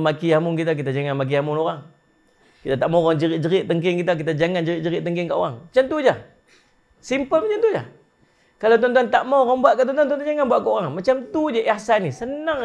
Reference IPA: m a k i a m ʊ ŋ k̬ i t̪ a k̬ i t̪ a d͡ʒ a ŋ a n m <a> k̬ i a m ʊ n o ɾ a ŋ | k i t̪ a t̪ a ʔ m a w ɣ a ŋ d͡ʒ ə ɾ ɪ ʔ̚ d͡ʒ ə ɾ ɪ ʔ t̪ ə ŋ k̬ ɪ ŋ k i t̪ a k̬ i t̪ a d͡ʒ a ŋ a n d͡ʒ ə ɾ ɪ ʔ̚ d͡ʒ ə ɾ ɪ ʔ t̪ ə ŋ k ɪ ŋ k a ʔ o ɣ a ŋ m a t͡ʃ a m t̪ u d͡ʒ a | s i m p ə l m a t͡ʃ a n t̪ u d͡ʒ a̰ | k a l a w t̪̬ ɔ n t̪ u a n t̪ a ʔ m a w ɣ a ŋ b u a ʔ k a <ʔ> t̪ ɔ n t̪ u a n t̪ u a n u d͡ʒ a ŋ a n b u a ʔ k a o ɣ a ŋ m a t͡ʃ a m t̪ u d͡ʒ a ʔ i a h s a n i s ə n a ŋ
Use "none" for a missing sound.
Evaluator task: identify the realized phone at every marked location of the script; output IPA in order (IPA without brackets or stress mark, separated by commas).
a, ʔ